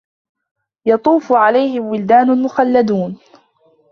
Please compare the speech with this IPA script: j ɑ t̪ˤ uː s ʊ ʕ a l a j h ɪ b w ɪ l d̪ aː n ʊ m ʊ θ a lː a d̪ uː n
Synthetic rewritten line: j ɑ t̪ˤ uː f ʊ ʕ a l a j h ɪ m w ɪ l d̪ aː n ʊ m ʊ x a lː a d̪ uː n